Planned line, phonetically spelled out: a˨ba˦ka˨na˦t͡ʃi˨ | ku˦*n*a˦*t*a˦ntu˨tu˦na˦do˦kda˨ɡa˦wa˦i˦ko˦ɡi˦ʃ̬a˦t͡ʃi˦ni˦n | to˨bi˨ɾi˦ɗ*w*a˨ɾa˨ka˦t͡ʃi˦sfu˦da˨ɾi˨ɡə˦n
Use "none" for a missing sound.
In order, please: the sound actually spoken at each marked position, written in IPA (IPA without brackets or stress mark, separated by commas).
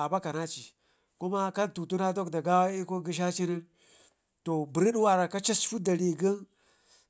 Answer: m, k, w